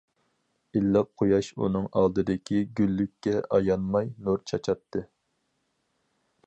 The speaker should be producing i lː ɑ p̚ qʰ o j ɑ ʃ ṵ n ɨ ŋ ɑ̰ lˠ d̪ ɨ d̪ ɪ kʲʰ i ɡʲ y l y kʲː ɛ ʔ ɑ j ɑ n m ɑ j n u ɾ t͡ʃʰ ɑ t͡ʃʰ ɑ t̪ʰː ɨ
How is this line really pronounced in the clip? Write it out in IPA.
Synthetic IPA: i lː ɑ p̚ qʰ o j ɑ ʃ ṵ n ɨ ŋ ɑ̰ lˠ d̪ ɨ d̪ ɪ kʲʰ i ɡʲ y lː y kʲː ɛ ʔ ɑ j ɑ n m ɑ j n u ɾ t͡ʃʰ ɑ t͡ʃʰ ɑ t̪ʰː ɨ